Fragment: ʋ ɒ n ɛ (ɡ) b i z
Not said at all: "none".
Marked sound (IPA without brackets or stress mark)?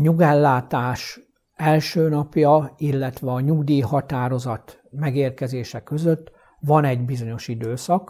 ɟ